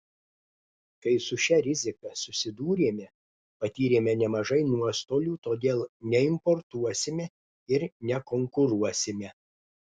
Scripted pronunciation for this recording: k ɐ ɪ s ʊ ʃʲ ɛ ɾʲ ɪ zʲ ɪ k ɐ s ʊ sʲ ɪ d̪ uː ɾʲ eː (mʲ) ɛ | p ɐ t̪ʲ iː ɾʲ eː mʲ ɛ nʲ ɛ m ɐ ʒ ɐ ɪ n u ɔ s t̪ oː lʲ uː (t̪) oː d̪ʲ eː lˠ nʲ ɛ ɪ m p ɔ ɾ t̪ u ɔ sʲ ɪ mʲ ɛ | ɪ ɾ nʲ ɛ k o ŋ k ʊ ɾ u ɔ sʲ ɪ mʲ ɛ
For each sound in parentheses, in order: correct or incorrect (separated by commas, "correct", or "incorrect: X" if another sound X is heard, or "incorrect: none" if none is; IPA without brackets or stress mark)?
correct, correct